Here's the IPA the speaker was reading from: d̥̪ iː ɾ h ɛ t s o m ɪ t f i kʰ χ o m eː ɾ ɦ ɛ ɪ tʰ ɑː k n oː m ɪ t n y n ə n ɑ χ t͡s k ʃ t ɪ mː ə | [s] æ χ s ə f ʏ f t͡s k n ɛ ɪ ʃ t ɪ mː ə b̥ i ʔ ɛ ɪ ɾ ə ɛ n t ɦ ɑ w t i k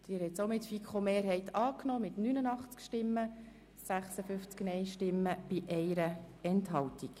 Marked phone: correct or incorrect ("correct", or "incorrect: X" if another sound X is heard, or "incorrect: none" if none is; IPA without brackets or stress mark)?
correct